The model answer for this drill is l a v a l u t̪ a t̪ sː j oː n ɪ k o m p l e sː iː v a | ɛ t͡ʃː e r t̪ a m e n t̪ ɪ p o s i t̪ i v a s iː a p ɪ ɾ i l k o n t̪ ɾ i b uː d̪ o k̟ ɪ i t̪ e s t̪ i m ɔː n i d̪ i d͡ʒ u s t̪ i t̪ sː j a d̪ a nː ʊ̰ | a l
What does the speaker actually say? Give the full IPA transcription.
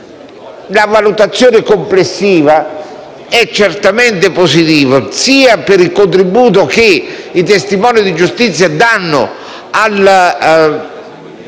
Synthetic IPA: l a v a l u t̪ a t̪ sː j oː n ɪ k o m p l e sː iː v a | ɛ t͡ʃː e r t̪ a m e n t̪ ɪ p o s i t̪ iː v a s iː a p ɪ ɾ i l k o n t̪ ɾ i b uː t̪ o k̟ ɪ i t̪ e s t̪ i m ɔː n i d̪ i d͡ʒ u s t̪ i t̪ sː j a d̪ a nː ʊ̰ | a l

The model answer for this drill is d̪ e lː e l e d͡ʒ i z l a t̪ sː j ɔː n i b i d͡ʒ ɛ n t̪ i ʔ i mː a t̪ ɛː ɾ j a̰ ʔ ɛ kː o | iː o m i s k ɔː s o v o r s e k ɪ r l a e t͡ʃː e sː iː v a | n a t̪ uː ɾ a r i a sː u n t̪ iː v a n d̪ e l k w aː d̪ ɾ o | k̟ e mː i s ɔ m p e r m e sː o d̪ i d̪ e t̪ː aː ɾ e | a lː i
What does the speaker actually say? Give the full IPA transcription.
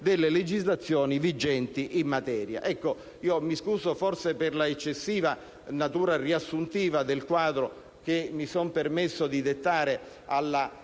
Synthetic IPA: d̪ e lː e l e d͡ʒ i z l a t̪ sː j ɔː n i v i d͡ʒ ɛ n t̪ i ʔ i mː a t̪ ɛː ɾ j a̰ ʔ ɛ kː o | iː o m i s k uː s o f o r s e p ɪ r l a e t͡ʃː e sː iː v a | n a t̪ uː ɾ a r i a sː u n t̪ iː v a d̪ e l k w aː d̪ ɾ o | k̟ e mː i s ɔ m p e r m e sː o d̪ i d̪ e t̪ː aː ɾ e | a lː a

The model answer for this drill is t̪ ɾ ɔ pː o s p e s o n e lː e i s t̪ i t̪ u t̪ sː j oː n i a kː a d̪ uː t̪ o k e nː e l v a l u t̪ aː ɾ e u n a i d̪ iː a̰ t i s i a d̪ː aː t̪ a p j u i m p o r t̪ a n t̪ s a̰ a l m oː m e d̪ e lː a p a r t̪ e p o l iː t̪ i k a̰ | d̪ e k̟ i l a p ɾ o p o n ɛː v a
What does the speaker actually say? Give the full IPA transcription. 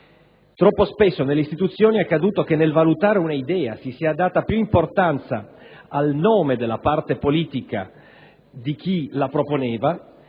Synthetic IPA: t̪ ɾ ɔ pː o s p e sː o n e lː e i s t̪ i t̪ u t̪ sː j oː n i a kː a d̪ uː t̪ o k e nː e l v a l u t̪ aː ɾ e u n a i d̪ ɛː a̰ s i s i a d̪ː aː t̪ a p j u i m p o r t̪ a n t̪ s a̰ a l n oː m e d̪ e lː a p a r t̪ e p o l iː t̪ i k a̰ | d̪ i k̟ i l a p ɾ o p o n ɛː v a

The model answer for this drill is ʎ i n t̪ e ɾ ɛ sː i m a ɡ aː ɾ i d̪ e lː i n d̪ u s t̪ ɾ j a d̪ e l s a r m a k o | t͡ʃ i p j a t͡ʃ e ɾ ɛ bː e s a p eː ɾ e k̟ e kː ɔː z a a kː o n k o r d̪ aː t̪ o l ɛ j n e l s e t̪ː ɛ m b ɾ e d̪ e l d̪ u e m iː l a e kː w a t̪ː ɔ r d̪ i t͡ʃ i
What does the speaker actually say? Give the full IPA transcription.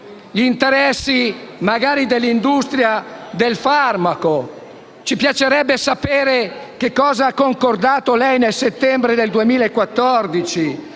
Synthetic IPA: ʎ i n t̪ e ɾ ɛ sː i m a ɡ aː ɾ i d̪ e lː i n d̪ u s t̪ ɾ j a d̪ e l f a r m a k o | t͡ʃ i p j a t͡ʃ e ɾ ɛ bː e s a p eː ɾ e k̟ e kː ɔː z a a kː o ŋ k o r d̪ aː t̪ o l ɛ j n e l s e t̪ː ɛ m b ɾ e d̪ e l d̪ u e m iː l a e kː w a t̪ː ɔ r d̪ i t͡ʃ i

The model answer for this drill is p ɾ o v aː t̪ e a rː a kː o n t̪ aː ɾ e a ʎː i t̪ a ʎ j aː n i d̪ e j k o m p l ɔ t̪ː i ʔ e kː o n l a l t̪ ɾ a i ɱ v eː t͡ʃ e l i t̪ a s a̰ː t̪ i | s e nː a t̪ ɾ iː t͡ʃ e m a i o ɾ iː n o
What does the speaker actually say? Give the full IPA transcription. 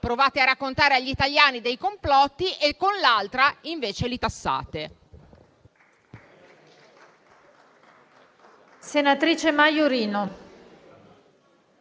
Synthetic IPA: p ɾ o v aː t̪ e a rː a kː o n t̪ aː ɾ e a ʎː i t̪ a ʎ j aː n i d̪ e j k o m p l ɔ t̪ː i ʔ e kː o n l a l t̪ ɾ a i ɱ v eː t͡ʃ e l i t̪ a sː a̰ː t̪ e | s e n a t̪ ɾ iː t͡ʃ e m a j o ɾ iː n o

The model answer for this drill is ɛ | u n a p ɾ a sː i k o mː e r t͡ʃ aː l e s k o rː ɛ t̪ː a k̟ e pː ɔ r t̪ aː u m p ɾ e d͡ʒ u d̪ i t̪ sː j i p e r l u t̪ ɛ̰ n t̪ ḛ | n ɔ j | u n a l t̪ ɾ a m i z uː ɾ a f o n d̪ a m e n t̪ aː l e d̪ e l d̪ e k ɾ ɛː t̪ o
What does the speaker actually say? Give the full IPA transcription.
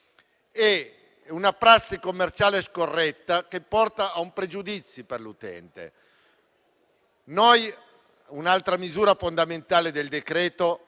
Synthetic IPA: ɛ | u n a p ɾ a sː i k o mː e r t͡ʃ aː l e s k o rː ɛ t̪ː a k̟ e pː ɔ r t̪ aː u m p ɾ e d͡ʒ u d̪ i t̪ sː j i p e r l u t̪ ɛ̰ n t̪ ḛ | n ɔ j | u n a l t̪ ɾ a m i z uː ɾ a f o n d̪ a m e n t̪ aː l e d̪ e l d̪ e k ɾ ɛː t̪ o

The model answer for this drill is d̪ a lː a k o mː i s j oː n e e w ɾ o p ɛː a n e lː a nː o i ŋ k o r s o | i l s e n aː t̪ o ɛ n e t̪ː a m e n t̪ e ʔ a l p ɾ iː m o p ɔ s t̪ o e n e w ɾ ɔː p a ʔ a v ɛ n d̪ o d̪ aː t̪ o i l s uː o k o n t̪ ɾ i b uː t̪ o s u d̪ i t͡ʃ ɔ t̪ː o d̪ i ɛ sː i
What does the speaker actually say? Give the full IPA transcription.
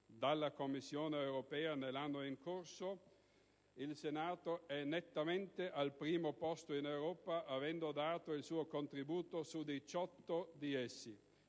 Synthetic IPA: d̪ a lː a k o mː i sː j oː n e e w ɾ o p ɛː a n e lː a nː o i ŋ k o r s o | i l s e n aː t̪ o ɛ n e t̪ː a m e n t̪ e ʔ a l p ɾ iː m o p ɔ s t̪ o i n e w ɾ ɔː p a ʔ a v ɛ n d̪ o d̪ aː t̪ o i l s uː o k o n t̪ ɾ i b uː t̪ o s u d̪ i t͡ʃ ɔ t̪ː o d̪ i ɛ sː i

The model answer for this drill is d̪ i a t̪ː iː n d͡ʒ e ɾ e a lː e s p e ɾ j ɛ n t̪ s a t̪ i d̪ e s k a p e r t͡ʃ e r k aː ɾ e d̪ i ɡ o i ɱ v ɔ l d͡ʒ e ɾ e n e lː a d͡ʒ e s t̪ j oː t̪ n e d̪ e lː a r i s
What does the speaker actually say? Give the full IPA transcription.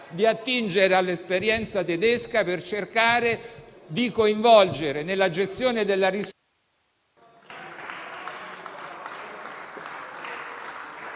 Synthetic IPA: d̪ i a t̪ː i n d͡ʒ e ɾ e a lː e s p e ɾ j ɛ n t̪ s a t̪ e d̪ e s k a p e r t͡ʃ e r k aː ɾ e d̪ i k o i ɱ v ɔ l d͡ʒ e ɾ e n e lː a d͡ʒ e s t̪ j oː n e d̪ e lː a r i s

